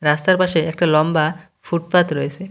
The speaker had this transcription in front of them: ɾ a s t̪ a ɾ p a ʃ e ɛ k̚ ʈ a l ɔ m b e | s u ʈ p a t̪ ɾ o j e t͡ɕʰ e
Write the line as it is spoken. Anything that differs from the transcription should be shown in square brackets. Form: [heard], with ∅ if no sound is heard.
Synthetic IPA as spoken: ɾ a s t̪ a ɾ p a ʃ e ɛ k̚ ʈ a l ɔ m b [a] | [f] u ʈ p a t̪ ɾ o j e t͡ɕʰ e